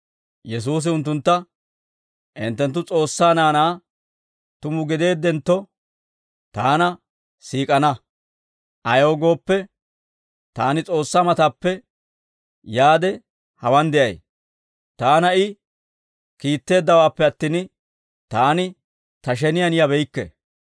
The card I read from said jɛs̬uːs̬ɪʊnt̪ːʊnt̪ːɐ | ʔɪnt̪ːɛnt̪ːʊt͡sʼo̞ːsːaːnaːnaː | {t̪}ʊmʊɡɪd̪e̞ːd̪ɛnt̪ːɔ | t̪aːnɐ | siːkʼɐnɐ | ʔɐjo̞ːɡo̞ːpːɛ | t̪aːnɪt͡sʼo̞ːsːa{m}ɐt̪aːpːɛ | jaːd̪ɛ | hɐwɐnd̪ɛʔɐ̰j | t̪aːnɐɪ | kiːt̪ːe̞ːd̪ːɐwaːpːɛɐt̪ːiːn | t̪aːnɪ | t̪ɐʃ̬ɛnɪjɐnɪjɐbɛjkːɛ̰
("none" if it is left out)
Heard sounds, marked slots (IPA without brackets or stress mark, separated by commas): t̪, m